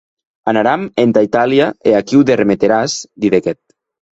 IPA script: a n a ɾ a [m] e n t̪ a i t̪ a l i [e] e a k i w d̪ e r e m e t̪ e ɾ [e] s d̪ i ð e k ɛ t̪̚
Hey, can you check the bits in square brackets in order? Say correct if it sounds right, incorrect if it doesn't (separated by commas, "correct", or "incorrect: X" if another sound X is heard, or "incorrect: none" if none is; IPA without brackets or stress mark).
correct, incorrect: a, incorrect: a